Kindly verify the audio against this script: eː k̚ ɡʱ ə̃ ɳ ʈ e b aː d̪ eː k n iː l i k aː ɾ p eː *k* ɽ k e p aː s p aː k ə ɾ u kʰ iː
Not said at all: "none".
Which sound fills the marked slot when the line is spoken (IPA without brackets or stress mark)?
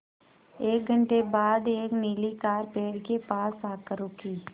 none